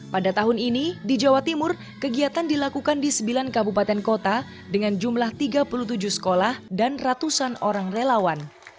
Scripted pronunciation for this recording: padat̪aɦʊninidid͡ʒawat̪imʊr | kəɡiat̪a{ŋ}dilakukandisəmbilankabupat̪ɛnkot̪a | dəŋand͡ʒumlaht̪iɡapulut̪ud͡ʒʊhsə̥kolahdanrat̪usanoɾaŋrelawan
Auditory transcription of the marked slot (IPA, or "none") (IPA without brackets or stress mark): n